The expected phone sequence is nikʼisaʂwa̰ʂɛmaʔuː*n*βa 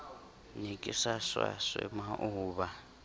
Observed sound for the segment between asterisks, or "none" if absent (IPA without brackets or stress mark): none